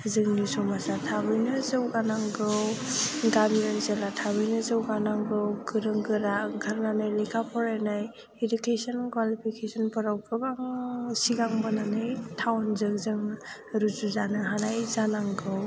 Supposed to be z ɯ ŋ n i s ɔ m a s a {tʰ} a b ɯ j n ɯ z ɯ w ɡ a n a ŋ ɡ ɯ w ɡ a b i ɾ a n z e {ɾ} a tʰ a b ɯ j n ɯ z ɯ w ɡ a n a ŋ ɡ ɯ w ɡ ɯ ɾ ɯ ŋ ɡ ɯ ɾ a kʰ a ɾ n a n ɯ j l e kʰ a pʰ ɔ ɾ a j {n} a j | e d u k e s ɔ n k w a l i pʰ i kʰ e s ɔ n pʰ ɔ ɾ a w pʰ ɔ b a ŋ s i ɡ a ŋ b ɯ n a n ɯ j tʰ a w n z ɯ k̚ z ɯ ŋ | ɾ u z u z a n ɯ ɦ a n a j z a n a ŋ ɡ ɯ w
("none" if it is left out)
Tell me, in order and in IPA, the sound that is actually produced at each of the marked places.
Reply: tʰ, l, n

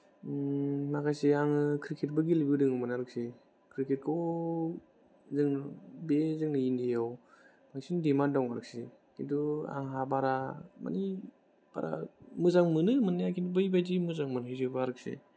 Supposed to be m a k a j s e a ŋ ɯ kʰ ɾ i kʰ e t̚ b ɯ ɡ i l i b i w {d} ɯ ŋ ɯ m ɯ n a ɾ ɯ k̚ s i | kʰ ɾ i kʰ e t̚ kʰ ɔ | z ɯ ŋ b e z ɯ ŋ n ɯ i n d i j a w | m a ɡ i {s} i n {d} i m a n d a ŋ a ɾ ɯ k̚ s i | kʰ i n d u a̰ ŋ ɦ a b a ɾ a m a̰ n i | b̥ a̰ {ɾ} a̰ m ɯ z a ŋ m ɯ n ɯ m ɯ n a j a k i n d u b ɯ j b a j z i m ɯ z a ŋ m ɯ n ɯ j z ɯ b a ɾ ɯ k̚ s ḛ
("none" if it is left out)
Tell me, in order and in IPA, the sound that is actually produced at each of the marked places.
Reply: d, s, d, ɾ

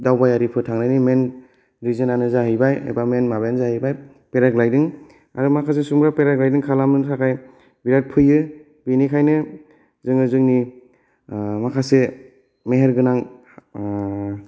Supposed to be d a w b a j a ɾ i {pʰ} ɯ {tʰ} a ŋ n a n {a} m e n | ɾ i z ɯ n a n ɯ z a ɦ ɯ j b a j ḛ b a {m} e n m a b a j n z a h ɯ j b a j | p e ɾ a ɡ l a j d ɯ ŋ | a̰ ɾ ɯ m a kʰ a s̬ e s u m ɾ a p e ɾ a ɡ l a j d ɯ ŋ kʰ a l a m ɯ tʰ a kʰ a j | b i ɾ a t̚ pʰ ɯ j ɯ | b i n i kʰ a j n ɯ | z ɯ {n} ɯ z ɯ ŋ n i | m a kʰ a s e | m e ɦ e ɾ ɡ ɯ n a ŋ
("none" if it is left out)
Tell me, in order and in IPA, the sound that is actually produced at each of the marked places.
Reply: pʰ, tʰ, i, m, ŋ

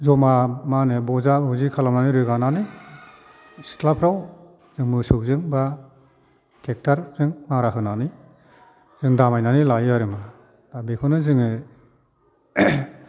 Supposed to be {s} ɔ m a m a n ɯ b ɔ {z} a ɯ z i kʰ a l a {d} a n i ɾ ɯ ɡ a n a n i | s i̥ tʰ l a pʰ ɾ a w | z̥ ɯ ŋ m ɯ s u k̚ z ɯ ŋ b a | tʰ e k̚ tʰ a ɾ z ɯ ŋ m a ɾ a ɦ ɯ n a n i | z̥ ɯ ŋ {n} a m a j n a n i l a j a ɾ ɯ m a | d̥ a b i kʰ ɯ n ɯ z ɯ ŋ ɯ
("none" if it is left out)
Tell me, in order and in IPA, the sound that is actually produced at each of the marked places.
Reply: z, z, n, d

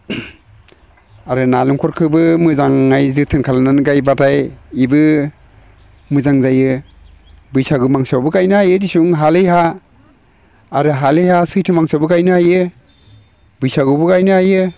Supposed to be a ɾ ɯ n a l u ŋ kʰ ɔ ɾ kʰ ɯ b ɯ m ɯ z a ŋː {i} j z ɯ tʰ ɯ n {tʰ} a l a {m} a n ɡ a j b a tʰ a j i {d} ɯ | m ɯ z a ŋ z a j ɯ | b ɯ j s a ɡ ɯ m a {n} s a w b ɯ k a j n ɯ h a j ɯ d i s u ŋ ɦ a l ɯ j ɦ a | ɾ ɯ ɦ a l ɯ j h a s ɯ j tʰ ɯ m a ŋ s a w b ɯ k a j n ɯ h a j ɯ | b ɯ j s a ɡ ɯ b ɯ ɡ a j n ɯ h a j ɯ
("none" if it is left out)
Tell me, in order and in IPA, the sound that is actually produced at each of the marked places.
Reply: a, kʰ, n, b, ŋ

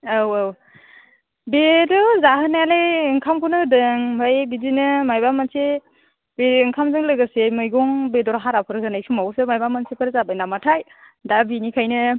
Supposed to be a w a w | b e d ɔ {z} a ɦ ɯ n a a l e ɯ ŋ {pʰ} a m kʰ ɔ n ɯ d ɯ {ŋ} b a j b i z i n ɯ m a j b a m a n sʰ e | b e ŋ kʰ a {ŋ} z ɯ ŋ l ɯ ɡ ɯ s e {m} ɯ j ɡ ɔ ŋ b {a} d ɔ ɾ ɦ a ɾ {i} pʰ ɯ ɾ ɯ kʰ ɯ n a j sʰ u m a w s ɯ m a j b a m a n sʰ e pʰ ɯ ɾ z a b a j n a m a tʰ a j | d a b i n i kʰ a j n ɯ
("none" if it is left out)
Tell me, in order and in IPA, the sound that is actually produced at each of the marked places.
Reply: z, kʰ, ŋ, m, m, e, a

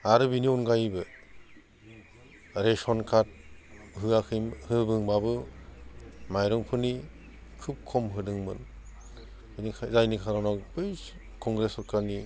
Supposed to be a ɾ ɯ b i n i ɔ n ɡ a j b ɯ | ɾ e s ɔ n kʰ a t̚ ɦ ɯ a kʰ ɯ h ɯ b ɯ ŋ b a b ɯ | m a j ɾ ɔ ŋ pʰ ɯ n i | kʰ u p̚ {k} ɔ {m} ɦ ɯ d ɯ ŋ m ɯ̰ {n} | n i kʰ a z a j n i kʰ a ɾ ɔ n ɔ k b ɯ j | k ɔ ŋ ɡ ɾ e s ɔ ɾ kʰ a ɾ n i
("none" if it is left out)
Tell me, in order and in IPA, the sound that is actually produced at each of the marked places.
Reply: kʰ, m, n

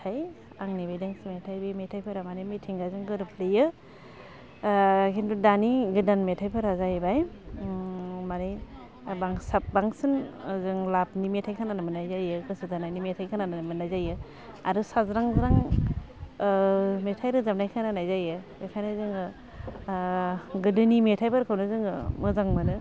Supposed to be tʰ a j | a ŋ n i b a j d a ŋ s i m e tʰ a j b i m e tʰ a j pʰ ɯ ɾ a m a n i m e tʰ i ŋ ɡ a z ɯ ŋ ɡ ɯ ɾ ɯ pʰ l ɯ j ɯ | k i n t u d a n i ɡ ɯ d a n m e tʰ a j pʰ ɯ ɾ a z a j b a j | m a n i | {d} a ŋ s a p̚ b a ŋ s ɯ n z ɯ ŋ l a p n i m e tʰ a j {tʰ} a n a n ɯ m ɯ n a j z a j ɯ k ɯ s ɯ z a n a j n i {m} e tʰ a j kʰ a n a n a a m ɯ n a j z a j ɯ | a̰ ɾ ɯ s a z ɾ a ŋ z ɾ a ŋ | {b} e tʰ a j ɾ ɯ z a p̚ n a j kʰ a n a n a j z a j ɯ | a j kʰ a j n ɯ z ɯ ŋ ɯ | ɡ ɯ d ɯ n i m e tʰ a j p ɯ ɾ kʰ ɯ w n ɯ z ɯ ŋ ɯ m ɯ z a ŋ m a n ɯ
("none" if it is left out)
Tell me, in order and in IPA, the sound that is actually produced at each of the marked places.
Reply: b, kʰ, m, m

